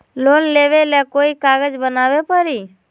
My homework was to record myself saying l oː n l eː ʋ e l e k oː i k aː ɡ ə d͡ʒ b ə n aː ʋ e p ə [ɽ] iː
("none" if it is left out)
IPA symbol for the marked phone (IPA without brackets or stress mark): ɾ